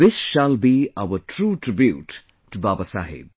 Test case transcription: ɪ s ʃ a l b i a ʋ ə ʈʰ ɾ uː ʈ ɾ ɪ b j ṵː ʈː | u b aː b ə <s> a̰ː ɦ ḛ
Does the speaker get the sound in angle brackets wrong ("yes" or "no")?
no